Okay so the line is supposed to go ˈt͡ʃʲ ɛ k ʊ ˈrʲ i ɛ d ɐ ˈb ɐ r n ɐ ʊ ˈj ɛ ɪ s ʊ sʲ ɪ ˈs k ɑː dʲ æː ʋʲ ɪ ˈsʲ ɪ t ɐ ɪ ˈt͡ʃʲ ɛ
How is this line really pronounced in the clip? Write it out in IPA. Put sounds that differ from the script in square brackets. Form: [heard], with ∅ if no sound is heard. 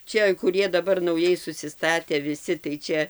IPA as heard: ˈt͡ʃʲ ɛ k ʊ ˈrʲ i ɛ d ɐ ˈb ɐ r n ɐ ʊ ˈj ɛ ɪ s ʊ sʲ ɪ ˈs [t] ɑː [tʲ] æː ʋʲ ɪ ˈsʲ ɪ t ɐ ɪ ˈt͡ʃʲ ɛ